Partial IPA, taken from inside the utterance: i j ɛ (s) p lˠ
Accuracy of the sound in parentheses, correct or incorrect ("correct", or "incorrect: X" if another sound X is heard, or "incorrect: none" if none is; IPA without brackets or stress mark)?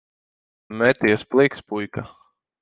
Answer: correct